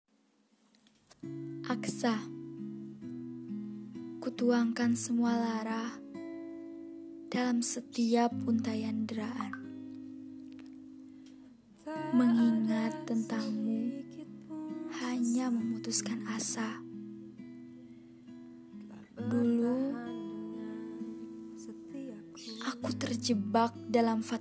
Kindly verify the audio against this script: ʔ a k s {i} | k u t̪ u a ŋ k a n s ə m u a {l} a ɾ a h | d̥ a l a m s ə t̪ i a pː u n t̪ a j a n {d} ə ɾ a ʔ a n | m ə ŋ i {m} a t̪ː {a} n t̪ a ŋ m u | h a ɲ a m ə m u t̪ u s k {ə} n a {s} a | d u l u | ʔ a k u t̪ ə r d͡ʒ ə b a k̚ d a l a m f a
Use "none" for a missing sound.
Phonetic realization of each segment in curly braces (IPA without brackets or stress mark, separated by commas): a, l, d, ŋ, ə, a, s